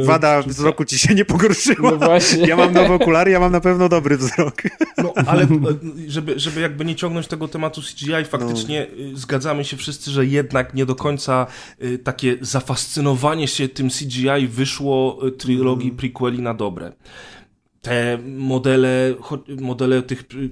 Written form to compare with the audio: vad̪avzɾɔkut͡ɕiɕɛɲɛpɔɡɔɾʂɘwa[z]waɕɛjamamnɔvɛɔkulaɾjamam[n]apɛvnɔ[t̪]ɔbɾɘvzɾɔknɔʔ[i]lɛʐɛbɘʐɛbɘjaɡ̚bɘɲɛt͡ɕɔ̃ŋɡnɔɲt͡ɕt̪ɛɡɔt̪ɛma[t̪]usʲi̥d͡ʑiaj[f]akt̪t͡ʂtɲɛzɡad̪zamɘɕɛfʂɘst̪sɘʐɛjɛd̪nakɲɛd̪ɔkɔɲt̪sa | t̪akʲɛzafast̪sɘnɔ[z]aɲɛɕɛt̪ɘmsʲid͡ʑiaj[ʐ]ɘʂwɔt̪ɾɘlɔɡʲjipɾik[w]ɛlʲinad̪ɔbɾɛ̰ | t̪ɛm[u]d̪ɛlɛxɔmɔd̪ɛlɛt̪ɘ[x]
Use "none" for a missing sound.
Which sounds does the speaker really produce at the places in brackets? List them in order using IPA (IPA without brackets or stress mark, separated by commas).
v, n, d̪, a, t̪, f, v, v, w, ɔ, x